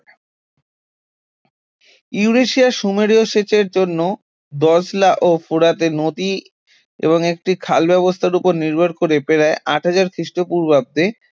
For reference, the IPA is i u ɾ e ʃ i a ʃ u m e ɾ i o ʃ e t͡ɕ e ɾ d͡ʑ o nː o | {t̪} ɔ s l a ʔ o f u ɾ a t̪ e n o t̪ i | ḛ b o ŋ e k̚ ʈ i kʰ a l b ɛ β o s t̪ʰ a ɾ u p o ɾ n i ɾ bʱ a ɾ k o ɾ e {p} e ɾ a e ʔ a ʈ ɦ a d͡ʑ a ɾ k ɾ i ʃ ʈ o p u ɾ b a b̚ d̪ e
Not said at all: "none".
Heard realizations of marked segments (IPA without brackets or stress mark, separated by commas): d̪, p